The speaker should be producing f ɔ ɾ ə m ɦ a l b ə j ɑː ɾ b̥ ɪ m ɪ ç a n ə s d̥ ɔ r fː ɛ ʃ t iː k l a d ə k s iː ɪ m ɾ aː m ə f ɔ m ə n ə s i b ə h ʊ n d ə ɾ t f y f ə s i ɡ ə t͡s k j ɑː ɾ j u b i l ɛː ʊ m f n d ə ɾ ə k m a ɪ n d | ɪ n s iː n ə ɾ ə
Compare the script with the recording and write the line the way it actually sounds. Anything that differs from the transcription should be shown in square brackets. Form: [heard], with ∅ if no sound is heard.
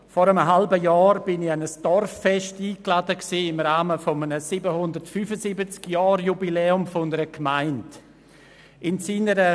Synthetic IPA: f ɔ ɾ ə m ɦ a l b ə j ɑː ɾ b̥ ɪ [n] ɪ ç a n ə s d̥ ɔ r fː ɛ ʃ t iː k l a d ə k s iː ɪ m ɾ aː m ə f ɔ m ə n ə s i b ə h ʊ n d ə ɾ t f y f ə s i [b] ə t͡s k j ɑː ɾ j u b i l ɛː ʊ m f n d ə ɾ ə k m a ɪ n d | ɪ n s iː n ə ɾ ə